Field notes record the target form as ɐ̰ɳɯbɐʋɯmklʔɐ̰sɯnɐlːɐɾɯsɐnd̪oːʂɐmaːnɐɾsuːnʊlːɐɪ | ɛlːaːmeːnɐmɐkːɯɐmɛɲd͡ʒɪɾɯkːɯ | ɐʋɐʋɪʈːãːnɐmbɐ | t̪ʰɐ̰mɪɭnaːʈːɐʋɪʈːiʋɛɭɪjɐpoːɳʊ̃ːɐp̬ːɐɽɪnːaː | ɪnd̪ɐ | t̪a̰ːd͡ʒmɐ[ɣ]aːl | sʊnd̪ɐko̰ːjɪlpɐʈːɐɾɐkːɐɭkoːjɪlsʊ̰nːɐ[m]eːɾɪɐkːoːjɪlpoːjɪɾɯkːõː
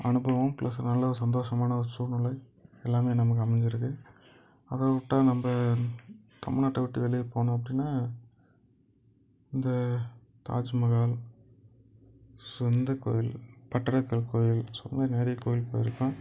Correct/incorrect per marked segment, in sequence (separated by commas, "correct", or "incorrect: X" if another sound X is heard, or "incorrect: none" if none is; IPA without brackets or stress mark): correct, incorrect: n